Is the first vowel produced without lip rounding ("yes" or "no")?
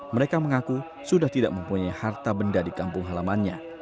yes